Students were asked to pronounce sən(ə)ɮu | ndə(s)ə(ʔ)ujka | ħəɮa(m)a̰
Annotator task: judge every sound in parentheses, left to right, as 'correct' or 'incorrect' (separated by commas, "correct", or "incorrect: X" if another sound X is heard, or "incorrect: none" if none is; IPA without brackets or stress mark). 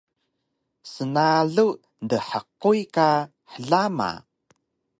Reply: incorrect: a, incorrect: ħ, incorrect: q, correct